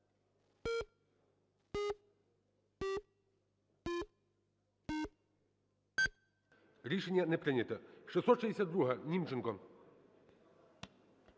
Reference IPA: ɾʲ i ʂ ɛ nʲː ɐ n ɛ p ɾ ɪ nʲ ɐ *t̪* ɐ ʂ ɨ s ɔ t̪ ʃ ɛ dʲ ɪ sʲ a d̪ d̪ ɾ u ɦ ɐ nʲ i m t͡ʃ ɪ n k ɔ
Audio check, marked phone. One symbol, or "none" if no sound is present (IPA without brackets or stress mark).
t̪